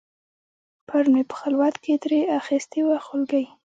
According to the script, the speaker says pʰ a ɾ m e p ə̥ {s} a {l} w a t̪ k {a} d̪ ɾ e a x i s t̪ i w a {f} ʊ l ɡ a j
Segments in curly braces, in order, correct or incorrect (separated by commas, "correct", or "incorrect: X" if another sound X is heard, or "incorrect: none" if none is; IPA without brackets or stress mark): incorrect: x, correct, incorrect: e, incorrect: x